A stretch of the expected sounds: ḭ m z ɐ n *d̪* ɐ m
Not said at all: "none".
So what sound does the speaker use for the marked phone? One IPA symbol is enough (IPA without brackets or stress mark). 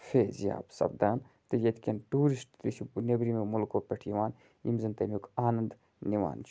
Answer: t̪